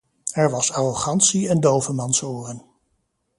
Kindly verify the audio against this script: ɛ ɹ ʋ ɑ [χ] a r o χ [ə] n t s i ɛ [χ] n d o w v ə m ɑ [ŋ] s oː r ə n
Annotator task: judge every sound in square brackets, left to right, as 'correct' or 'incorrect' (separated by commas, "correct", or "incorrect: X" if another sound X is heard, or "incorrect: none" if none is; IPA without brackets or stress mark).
incorrect: s, incorrect: ɑ, incorrect: none, incorrect: n